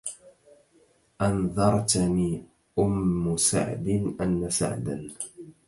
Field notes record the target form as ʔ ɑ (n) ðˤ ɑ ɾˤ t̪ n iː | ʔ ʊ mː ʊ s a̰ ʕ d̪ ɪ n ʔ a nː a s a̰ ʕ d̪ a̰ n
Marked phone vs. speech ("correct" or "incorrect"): correct